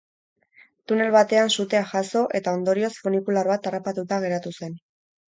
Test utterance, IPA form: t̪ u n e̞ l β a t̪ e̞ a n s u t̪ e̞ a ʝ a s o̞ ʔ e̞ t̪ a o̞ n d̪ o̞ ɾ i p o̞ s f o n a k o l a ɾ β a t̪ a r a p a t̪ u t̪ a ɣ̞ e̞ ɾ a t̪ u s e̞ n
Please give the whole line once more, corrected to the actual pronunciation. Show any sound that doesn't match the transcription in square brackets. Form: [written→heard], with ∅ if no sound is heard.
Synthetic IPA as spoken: t̪ u n e̞ l β a t̪ e̞ a n s u t̪ e̞ a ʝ a s o̞ ʔ e̞ t̪ a o̞ n d̪ o̞ ɾ i [p→∅] o̞ s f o n [a→i] k [o→u] l a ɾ β a t̪ a r a p a t̪ u t̪ a ɣ̞ e̞ ɾ a t̪ u s e̞ n